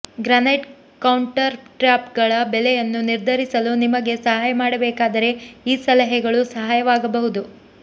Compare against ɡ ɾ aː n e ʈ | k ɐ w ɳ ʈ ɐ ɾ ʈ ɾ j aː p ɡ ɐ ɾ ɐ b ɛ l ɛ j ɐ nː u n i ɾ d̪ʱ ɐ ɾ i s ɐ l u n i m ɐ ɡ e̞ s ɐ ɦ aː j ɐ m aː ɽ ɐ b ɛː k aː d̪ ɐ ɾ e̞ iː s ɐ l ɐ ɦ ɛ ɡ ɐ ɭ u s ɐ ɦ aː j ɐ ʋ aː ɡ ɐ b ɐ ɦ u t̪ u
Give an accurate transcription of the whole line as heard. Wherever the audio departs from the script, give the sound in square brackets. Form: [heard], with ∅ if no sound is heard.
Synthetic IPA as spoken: ɡ ɾ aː n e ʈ | k ɐ w ɳ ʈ ɐ ɾ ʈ ɾ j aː p ɡ ɐ [ɭ] ɐ b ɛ l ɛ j ɐ nː u n i ɾ d̪ʱ ɐ ɾ i s ɐ l u n i m ɐ ɡ e̞ s ɐ ɦ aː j ɐ m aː ɽ ɐ b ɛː k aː d̪ ɐ ɾ e̞ iː s ɐ l ɐ ɦ ɛ ɡ ɐ ɭ u s ɐ ɦ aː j ɐ ʋ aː ɡ ɐ b ɐ ɦ u [d̪] u